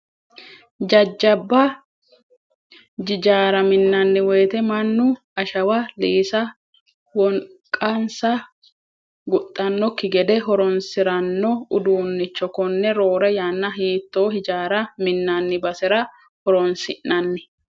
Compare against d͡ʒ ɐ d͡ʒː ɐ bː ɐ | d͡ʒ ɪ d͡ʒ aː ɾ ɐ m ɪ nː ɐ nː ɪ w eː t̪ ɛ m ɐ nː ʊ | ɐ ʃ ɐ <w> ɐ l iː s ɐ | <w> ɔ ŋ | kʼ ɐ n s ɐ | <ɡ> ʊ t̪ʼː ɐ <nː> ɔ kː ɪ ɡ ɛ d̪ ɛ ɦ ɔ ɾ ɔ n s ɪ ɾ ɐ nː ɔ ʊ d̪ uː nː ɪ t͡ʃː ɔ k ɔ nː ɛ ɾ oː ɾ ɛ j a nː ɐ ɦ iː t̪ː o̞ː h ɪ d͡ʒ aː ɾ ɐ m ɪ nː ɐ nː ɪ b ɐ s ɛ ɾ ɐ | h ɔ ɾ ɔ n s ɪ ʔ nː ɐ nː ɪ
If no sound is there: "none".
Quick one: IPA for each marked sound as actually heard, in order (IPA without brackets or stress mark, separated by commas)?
w, w, ɡ, nː